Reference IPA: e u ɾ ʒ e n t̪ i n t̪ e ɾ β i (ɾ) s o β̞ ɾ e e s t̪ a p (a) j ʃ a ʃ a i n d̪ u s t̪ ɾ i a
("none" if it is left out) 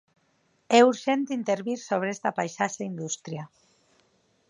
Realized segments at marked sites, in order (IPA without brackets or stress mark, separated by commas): ɾ, a